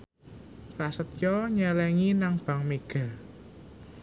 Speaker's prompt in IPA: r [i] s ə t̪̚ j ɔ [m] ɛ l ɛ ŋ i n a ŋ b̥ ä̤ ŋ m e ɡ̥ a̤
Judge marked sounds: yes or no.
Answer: no, no

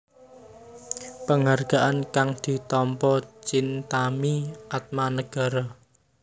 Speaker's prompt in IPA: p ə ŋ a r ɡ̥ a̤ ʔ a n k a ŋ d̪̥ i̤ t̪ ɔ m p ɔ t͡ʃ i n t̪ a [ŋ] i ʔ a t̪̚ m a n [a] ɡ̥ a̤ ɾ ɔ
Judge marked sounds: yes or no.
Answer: no, no

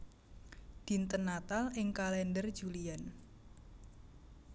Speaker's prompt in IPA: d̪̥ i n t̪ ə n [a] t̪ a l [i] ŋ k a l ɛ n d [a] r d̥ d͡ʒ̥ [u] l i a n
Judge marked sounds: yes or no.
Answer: yes, no, no, yes

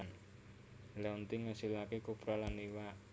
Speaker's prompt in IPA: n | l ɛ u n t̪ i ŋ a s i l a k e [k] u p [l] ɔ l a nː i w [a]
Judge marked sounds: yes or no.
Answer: yes, no, yes

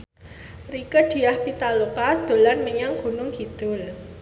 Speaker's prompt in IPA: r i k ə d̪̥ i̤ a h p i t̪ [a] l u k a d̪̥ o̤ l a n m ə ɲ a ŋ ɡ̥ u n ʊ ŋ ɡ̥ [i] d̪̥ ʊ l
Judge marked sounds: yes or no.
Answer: yes, yes

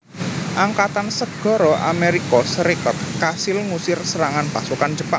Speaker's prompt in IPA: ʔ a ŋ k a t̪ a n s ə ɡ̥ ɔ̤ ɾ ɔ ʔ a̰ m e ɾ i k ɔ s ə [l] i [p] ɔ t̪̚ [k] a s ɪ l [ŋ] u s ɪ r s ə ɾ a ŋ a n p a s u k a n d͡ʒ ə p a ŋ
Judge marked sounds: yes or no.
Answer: no, no, yes, yes

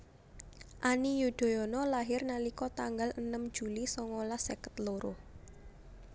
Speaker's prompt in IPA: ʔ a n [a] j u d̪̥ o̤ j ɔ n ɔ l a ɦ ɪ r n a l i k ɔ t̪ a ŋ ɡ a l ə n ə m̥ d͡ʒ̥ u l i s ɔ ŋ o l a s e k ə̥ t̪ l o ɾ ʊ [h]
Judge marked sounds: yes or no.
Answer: no, yes

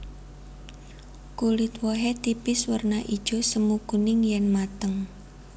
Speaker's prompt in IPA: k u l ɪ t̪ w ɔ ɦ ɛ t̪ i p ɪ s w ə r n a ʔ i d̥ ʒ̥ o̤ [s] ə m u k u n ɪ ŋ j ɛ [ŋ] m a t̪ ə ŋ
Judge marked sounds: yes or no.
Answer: yes, no

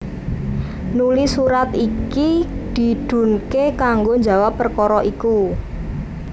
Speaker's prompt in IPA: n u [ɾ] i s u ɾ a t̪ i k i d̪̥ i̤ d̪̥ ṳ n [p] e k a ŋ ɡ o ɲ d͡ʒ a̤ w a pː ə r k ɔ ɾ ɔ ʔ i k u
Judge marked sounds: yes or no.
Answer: no, no

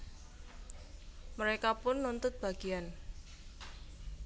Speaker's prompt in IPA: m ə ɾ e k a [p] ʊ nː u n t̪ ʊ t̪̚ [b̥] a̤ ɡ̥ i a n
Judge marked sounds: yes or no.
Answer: yes, yes

